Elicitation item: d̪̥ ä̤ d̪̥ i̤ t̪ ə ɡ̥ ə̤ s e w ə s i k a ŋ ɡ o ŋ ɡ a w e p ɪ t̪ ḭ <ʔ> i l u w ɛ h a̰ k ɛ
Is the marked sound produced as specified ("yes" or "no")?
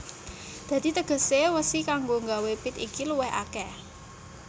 no